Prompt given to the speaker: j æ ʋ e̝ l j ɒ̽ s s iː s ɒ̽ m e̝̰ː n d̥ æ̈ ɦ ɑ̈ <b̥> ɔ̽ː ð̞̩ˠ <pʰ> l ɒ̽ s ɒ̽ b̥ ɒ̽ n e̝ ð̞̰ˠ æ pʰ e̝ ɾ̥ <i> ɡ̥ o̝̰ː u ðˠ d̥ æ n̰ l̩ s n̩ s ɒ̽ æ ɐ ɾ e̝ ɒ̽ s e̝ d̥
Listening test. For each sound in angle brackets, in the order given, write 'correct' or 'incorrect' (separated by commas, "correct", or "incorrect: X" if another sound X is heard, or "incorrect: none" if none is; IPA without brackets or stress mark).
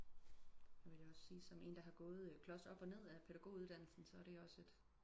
incorrect: ɡ̥, incorrect: kʰ, incorrect: æ